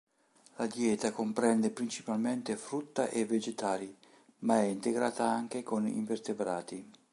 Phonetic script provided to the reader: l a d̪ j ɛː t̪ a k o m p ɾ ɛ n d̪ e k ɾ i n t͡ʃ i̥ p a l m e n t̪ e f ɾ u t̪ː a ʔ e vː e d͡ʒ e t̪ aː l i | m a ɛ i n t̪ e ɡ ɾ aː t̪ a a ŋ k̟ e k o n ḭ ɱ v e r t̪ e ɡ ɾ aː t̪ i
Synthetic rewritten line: l a d̪ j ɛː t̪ a k o m p ɾ ɛ n d̪ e p ɾ i n t͡ʃ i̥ p a l m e n t̪ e f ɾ u t̪ː a ʔ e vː e d͡ʒ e t̪ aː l i | m a ɛ i n t̪ e ɡ ɾ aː t̪ a a ŋ k̟ e k o n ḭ ɱ v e r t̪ e b ɾ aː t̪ i